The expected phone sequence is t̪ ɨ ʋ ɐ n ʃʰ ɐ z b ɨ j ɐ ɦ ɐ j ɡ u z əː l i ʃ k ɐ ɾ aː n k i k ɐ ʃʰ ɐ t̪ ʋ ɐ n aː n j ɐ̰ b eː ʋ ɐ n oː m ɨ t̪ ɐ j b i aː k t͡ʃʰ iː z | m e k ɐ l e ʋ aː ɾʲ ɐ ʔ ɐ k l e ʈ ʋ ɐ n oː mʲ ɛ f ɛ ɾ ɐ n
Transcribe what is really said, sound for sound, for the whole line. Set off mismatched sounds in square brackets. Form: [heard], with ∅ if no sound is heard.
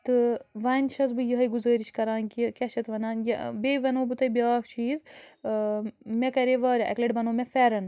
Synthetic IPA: t̪ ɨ ʋ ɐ n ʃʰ ɐ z b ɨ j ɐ ɦ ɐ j ɡ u z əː [ɾ] i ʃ k ɐ ɾ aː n k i k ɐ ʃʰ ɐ t̪ ʋ ɐ n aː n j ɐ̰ b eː ʋ ɐ n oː [b] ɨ t̪ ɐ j b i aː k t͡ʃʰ iː z | m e k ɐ [ɾ] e ʋ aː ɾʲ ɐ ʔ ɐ k l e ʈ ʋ ɐ n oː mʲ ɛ f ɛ ɾ ɐ n